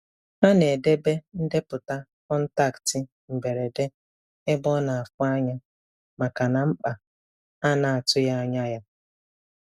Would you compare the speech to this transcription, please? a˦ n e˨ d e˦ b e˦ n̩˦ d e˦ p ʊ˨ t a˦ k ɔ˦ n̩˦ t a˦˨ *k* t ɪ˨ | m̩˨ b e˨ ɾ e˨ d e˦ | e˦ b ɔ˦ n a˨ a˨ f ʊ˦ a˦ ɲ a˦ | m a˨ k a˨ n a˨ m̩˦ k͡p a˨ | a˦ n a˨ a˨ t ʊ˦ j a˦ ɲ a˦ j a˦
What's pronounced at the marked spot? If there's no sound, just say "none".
k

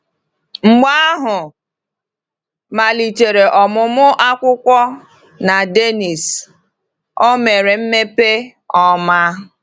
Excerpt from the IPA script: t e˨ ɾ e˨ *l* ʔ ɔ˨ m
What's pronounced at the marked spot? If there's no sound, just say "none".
none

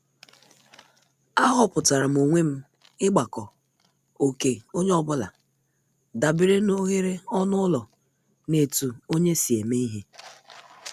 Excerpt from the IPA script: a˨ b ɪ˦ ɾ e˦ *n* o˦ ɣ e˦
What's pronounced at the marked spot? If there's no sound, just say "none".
n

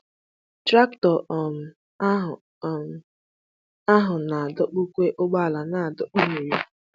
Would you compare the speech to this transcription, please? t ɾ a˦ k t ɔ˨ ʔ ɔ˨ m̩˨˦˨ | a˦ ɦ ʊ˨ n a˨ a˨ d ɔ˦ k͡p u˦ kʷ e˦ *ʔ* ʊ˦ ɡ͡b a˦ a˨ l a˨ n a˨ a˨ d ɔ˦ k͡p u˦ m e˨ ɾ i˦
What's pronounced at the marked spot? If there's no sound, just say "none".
ʔ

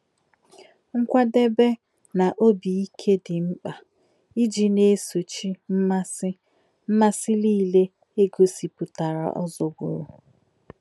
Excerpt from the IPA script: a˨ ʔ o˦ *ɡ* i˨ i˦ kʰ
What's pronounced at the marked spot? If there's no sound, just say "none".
b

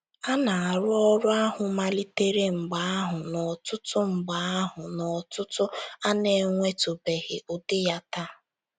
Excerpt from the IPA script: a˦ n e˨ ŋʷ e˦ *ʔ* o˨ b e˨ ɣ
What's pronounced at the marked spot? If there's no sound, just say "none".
t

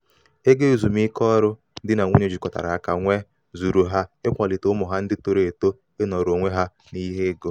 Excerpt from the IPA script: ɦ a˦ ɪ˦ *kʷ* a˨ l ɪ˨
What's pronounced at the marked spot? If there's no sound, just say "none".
kʷ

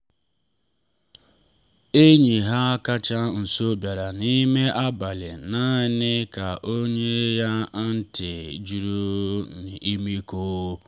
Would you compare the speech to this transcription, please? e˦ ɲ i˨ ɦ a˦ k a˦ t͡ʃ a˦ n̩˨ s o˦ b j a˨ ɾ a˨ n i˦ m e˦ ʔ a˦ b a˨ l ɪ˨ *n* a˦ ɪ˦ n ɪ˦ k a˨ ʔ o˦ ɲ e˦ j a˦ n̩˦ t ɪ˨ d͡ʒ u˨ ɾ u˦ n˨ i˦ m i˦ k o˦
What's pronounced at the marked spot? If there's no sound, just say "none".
n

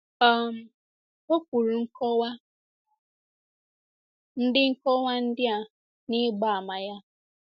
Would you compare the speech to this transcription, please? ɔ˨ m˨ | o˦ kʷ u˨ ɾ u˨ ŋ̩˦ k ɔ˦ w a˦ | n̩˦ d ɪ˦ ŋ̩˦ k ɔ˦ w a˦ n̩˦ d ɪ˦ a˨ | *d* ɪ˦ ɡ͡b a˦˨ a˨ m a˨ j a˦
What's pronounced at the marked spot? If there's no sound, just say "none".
n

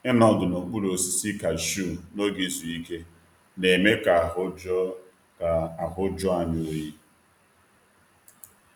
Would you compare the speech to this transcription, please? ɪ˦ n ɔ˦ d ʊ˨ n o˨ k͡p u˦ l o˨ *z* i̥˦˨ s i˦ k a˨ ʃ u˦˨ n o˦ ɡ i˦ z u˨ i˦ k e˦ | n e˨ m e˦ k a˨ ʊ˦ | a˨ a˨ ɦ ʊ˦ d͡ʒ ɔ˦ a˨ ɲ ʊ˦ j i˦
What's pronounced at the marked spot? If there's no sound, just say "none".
s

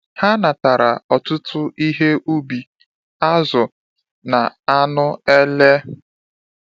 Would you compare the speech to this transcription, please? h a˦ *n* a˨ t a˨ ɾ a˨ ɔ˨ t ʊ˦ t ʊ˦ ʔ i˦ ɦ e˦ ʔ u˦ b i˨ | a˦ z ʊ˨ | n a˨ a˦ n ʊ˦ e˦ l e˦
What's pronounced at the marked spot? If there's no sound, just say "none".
n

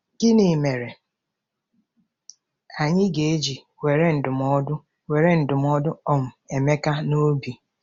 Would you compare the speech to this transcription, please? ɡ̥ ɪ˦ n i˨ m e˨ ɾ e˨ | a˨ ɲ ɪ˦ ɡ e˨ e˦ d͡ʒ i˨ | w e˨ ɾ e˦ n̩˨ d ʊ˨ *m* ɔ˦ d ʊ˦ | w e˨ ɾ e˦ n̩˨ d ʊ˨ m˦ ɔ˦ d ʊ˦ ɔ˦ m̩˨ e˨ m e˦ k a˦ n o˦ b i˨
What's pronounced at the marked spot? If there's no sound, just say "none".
m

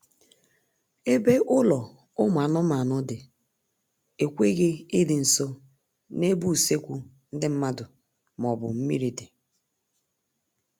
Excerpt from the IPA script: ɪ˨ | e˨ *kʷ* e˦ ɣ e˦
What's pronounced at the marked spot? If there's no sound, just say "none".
kʷ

